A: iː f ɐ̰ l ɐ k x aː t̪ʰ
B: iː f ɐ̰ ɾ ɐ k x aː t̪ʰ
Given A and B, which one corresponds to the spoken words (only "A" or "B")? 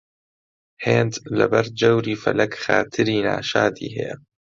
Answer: A